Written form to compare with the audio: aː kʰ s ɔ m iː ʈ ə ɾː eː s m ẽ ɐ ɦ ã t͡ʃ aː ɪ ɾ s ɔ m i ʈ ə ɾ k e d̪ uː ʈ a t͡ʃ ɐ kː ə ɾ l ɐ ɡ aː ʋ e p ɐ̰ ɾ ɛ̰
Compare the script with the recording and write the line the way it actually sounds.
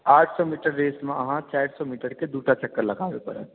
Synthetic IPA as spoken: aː ʈʰ s ɔ m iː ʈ ə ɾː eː s m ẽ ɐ ɦ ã t͡ʃ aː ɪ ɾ s ɔ m iː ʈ ə ɾ k e d̪ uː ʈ a t͡ʃ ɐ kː ə ɾ l ɐ ɡ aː ʋ e p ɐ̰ ɾ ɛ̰